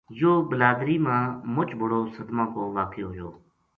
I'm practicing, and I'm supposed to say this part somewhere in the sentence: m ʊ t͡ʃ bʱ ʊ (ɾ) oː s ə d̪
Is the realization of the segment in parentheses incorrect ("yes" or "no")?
yes